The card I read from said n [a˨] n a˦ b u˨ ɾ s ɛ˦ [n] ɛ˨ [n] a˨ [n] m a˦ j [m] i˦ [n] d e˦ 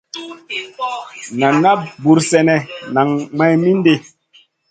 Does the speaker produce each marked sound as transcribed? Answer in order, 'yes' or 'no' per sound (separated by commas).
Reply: yes, yes, yes, no, yes, yes